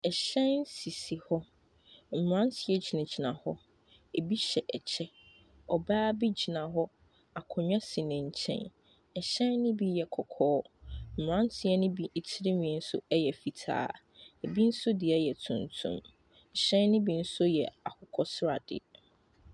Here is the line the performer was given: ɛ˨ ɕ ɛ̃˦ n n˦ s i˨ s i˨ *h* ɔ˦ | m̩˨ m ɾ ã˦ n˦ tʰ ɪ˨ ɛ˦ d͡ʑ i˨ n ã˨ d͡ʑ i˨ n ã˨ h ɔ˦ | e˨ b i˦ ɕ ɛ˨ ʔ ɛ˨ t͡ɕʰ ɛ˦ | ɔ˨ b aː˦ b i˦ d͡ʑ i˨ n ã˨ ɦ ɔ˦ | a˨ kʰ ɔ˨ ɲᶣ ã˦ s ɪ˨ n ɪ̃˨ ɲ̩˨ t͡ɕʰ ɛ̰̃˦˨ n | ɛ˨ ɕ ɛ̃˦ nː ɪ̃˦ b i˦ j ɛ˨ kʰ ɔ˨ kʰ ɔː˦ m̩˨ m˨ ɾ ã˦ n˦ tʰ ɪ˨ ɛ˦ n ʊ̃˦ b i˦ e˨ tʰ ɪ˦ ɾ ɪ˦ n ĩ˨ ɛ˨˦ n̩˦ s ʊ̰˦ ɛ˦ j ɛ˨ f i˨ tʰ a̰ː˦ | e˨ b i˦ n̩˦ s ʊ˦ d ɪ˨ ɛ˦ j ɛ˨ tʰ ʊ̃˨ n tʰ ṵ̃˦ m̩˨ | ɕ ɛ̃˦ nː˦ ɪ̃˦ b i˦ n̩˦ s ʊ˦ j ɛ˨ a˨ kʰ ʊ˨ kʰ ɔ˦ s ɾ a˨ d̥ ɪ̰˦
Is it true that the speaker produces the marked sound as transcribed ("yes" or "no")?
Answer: yes